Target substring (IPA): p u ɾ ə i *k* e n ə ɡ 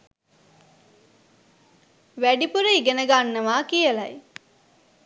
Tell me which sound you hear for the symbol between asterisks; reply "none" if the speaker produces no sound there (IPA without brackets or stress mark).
ɡ